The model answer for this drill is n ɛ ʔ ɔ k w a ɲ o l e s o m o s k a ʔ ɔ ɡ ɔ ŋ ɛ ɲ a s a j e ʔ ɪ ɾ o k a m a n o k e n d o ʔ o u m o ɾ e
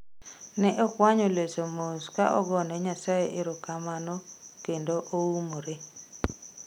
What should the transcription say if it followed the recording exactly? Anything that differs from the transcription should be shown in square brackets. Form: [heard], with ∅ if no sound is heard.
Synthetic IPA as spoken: n ɛ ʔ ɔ k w a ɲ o l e s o m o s k a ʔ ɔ ɡ ɔ [n] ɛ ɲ a s a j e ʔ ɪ ɾ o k a m a n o k e n d o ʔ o u m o ɾ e